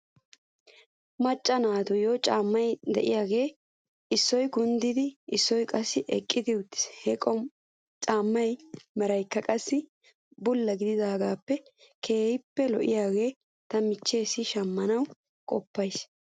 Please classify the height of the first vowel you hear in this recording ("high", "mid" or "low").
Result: low